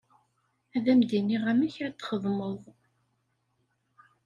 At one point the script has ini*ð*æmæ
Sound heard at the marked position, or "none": ʁ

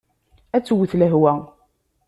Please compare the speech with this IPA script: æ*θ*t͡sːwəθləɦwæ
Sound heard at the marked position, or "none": none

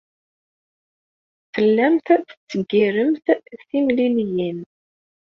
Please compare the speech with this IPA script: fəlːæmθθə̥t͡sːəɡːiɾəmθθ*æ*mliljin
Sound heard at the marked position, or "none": i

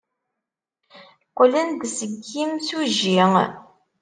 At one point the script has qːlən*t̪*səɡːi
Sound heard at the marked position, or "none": d̪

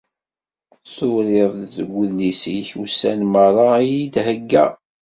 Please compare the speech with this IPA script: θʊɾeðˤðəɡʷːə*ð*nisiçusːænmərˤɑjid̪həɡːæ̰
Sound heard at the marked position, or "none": ð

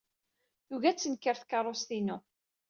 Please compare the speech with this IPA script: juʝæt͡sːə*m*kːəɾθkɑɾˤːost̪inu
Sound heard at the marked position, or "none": n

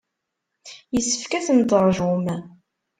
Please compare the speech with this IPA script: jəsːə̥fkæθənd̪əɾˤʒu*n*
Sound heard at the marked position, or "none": m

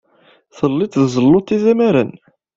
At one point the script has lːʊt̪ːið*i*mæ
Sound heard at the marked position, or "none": æ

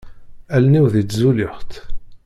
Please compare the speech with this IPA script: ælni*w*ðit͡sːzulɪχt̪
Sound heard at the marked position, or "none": w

